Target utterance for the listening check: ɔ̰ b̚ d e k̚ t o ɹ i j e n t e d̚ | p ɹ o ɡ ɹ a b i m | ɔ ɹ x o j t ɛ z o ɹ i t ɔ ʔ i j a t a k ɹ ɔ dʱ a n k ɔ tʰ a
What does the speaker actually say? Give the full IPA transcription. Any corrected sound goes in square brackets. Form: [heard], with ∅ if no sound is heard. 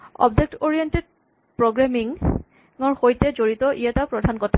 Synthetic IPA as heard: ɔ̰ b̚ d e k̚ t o ɹ i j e n t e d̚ | p ɹ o ɡ ɹ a [m] i [ŋ] | ɔ ɹ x o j t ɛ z o ɹ i t ɔ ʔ i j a t a [p] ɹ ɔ dʱ a n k ɔ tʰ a